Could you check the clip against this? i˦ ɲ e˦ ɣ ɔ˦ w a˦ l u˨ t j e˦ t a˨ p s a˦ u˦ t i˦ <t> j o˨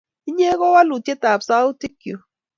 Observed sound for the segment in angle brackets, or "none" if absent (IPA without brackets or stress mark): k